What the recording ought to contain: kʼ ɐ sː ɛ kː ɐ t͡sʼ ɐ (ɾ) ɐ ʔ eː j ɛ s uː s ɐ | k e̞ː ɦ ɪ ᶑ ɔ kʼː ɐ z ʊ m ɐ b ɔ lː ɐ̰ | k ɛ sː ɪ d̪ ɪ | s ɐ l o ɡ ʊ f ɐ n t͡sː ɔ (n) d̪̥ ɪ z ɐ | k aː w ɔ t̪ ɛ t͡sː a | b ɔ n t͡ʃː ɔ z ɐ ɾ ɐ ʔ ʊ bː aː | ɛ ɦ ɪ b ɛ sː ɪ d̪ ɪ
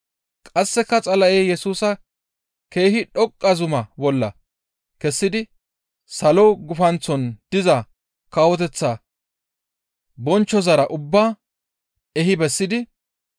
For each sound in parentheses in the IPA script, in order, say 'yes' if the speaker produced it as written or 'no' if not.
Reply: no, yes

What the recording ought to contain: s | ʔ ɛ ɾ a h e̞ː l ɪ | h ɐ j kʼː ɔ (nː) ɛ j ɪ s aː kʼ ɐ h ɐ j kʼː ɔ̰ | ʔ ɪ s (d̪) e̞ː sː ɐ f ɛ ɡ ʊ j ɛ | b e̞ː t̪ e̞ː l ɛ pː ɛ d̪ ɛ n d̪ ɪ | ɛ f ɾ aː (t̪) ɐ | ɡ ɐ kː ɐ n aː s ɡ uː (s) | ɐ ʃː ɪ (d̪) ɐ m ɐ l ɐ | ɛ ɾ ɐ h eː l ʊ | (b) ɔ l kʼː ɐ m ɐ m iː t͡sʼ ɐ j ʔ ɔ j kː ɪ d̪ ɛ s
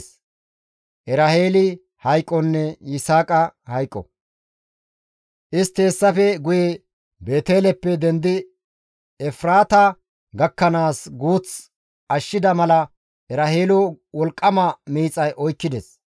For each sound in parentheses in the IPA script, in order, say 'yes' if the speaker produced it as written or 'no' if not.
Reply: yes, no, yes, no, yes, no

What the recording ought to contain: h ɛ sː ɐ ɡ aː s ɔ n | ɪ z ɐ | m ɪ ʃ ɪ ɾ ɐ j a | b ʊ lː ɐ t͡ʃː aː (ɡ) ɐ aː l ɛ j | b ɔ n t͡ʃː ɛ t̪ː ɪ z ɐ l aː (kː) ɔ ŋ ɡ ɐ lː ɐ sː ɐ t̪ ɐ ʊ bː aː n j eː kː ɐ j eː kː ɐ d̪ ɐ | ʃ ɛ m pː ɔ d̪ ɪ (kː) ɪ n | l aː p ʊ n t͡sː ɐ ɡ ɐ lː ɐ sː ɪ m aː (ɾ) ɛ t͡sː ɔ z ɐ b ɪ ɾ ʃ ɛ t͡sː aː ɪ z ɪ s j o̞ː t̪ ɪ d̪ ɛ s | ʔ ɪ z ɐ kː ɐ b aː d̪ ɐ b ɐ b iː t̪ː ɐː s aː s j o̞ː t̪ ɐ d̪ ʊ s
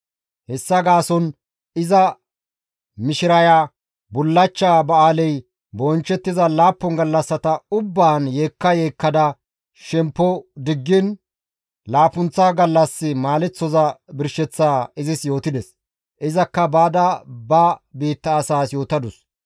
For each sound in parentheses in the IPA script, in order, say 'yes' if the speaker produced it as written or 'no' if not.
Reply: no, no, no, no

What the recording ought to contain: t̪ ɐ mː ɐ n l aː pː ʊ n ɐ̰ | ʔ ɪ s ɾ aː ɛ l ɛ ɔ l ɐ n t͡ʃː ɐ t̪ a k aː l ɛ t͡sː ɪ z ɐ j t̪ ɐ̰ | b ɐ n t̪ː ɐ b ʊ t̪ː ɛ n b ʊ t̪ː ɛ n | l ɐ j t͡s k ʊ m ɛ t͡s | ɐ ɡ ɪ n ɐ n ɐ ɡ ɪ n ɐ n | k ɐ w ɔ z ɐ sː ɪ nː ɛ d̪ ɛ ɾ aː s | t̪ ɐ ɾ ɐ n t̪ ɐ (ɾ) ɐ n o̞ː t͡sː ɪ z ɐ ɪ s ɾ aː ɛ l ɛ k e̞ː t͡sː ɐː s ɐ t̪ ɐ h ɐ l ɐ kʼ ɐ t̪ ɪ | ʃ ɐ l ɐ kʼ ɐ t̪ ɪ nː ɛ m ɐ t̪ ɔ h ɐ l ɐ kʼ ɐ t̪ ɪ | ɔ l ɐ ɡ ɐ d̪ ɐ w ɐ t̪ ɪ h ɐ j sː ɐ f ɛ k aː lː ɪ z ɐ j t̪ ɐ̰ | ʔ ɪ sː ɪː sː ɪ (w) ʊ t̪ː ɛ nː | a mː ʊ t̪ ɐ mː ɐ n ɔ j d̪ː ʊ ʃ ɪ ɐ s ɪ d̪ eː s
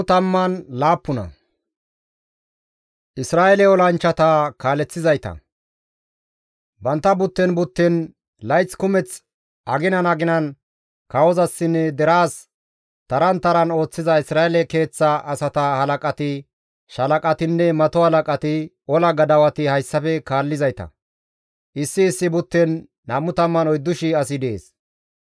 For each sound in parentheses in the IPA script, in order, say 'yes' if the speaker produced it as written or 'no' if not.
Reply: yes, no

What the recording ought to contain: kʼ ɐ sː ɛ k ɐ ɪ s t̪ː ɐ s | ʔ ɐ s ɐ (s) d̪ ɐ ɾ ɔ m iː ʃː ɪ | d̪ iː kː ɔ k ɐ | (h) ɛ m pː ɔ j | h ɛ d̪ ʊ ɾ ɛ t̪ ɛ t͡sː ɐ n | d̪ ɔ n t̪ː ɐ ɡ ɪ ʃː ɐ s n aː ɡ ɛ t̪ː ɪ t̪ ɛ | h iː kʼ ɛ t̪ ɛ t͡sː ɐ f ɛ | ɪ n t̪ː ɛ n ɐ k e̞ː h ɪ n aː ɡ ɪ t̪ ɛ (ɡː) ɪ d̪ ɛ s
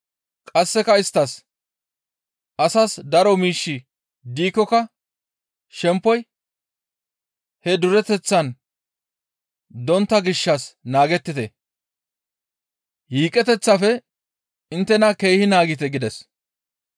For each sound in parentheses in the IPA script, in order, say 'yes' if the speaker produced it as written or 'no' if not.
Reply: yes, no, no

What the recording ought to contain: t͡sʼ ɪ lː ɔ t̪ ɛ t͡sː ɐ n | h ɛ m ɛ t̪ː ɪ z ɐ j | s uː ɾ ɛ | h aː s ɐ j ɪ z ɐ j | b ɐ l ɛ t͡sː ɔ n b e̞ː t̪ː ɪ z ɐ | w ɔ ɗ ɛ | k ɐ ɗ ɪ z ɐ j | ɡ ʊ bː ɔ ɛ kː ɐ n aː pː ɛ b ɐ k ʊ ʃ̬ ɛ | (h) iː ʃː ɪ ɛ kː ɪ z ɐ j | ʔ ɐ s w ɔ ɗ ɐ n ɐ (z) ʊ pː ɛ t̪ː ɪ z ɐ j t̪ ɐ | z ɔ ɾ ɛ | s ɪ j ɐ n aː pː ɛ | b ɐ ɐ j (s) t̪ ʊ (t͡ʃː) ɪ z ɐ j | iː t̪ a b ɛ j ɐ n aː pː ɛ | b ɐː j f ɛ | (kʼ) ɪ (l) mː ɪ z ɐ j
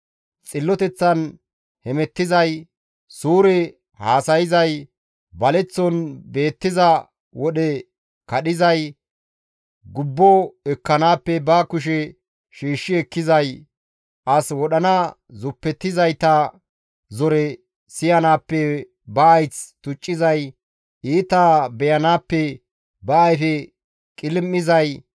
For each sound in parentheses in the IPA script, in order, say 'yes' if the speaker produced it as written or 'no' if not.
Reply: no, yes, no, no, yes, yes

